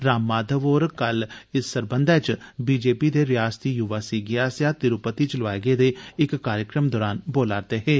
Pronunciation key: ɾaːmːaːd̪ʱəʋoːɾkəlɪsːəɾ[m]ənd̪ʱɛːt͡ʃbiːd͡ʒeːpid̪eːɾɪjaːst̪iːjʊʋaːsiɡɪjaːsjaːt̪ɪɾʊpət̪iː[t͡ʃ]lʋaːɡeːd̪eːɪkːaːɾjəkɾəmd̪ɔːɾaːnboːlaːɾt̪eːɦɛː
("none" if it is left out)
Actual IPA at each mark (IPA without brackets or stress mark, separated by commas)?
b, t͡ʃ